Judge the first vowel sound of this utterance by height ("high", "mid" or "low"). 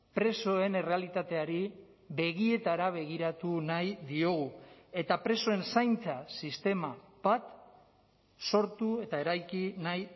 mid